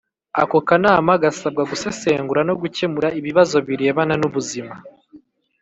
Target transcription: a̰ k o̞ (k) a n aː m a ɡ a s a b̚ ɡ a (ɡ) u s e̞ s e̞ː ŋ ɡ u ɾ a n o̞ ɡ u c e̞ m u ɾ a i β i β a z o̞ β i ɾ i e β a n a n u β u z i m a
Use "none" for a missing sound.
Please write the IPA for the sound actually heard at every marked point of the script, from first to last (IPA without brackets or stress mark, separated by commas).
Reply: k, ɡ